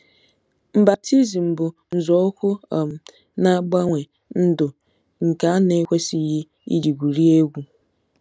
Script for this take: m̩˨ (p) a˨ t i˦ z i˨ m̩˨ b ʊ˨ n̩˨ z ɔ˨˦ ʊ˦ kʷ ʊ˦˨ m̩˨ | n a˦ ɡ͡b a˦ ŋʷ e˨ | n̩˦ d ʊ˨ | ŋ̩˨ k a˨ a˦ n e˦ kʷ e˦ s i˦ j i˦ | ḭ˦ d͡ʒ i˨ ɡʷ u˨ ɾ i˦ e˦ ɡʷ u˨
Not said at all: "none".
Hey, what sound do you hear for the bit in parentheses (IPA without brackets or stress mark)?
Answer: b